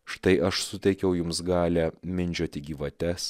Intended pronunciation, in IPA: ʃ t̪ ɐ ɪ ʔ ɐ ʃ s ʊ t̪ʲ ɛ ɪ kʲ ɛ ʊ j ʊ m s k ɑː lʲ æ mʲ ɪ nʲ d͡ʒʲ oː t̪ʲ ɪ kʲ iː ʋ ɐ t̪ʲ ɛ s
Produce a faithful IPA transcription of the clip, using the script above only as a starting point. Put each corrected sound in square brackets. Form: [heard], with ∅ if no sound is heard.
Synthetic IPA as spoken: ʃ t̪ ɐ ɪ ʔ ɐ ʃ s ʊ t̪ʲ ɛ ɪ kʲ ɛ ʊ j ʊ m s [ɡ] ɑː lʲ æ mʲ ɪ nʲ d͡ʒʲ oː t̪ʲ ɪ [ɡʲ] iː ʋ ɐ t̪ʲ ɛ s